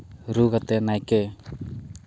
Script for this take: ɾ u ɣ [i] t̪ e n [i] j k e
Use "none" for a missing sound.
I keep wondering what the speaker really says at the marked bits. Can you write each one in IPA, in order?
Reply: a, a

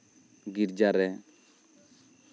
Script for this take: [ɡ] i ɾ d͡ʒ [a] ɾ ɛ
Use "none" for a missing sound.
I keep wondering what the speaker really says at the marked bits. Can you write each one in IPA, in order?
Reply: ɡ, a

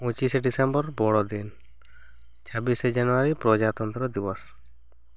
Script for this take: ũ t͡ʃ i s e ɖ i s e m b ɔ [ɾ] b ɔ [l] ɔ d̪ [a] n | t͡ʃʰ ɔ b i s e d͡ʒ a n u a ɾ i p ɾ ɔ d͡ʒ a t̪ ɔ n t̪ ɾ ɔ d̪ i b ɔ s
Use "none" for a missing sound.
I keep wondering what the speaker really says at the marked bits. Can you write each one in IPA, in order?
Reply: ɾ, ɽ, i

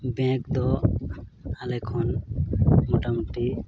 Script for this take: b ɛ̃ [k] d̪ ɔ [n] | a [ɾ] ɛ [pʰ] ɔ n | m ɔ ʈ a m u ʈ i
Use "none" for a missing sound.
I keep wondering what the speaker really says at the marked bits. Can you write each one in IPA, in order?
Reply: k, none, l, kʰ

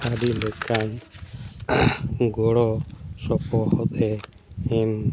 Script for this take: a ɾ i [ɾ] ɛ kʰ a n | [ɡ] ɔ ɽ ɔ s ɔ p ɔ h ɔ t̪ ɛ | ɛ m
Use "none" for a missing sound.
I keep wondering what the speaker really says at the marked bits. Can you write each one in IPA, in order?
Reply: l, ɡ

